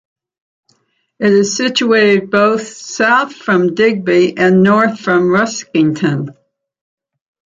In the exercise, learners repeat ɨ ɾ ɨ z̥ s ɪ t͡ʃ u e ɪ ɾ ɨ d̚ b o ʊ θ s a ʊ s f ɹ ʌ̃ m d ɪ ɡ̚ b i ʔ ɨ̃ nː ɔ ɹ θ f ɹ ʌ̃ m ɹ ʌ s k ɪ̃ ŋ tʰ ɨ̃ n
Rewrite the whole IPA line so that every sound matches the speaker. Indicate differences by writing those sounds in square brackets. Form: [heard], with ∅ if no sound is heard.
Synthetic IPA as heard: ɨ ɾ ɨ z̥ s ɪ t͡ʃ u e ɪ ɾ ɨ d̚ b o ʊ θ s a ʊ [θ] f ɹ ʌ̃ m d ɪ ɡ̚ b i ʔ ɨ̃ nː ɔ ɹ θ f ɹ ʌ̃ m ɹ ʌ s k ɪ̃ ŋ tʰ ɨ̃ n